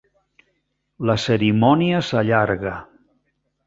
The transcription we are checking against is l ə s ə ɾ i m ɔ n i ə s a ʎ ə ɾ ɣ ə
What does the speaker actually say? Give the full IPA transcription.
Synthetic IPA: l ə s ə ɾ i m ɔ n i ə s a ʎ a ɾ ɣ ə